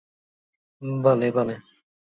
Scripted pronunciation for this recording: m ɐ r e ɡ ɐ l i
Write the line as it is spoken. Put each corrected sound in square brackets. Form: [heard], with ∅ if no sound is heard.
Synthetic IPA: [b] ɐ [l] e [b] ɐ l [e]